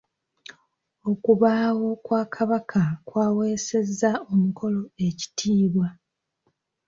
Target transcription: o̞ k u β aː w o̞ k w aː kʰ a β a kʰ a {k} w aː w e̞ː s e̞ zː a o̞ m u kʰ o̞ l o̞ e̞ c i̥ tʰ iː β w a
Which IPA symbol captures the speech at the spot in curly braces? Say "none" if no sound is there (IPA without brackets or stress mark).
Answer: k